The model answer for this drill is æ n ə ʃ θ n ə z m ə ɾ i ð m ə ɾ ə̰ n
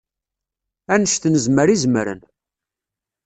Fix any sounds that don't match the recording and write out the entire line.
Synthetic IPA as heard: æ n ə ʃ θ n ə z m ə ɾ i z m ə ɾ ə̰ n